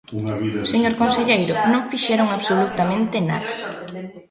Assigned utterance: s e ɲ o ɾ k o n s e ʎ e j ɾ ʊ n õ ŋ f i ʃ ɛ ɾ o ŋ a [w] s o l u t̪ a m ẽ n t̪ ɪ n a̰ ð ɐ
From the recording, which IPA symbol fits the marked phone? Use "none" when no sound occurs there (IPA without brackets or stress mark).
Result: β